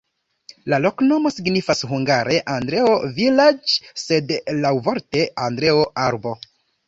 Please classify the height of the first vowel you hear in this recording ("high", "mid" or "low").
low